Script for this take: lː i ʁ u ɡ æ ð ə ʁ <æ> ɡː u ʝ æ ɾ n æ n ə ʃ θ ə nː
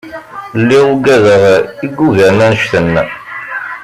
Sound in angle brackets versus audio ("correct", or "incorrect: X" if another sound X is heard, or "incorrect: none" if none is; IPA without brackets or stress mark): incorrect: i